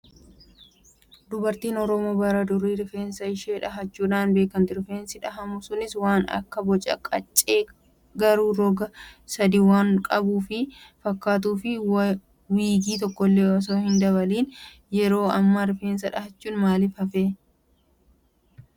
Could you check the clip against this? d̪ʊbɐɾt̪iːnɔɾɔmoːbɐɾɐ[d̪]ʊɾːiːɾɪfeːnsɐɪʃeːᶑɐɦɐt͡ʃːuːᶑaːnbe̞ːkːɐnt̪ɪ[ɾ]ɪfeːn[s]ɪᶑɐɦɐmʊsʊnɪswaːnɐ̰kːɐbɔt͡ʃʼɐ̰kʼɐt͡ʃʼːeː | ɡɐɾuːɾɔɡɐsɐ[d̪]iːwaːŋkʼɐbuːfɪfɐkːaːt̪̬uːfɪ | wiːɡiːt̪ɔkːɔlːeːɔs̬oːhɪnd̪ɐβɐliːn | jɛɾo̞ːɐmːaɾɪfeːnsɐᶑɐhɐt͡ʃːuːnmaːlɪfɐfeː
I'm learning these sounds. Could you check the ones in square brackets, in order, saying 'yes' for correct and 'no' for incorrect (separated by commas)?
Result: yes, yes, yes, yes